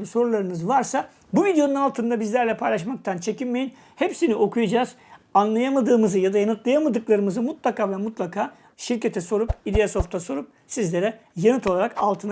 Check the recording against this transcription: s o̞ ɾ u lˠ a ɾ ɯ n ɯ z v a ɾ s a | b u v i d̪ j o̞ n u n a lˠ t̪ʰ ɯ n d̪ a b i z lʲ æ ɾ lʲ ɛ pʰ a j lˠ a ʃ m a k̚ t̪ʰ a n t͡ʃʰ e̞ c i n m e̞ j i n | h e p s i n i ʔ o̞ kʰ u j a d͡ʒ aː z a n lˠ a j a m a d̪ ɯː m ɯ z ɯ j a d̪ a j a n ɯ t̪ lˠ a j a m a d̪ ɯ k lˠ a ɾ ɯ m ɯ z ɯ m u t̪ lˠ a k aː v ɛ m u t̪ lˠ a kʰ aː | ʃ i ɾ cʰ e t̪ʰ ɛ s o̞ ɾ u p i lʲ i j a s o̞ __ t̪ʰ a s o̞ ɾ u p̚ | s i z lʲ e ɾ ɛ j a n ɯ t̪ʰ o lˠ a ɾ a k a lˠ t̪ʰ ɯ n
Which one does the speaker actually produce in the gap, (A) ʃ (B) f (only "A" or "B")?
B